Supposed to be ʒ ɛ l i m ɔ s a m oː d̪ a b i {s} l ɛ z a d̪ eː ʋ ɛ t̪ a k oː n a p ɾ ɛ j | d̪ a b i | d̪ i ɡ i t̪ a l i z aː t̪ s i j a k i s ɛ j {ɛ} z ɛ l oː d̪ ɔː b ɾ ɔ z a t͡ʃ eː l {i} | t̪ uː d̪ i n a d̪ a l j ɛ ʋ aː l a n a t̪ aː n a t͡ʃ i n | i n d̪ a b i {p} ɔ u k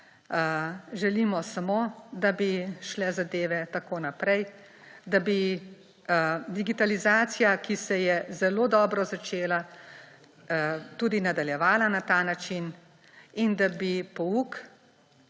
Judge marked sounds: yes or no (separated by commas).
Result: no, yes, no, yes